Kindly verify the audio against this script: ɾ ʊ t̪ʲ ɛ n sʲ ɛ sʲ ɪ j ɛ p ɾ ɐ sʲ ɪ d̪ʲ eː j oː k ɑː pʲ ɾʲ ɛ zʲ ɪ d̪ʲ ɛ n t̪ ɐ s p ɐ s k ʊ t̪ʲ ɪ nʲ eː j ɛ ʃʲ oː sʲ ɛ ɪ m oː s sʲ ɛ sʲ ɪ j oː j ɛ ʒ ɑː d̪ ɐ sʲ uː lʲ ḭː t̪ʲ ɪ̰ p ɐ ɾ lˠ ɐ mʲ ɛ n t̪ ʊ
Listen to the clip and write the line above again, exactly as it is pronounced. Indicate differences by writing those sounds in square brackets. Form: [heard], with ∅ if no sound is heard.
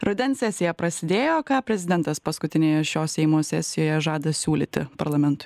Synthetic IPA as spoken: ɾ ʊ [d̪ʲ] ɛ n sʲ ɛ sʲ ɪ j ɛ p ɾ ɐ sʲ ɪ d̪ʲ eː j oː k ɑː pʲ ɾʲ ɛ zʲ ɪ d̪ʲ ɛ n t̪ ɐ s p ɐ s k ʊ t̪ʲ ɪ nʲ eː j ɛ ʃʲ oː sʲ ɛ ɪ m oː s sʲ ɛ sʲ ɪ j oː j ɛ ʒ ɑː d̪ ɐ sʲ uː lʲ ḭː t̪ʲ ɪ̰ p ɐ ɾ lˠ ɐ mʲ ɛ n t̪ ʊ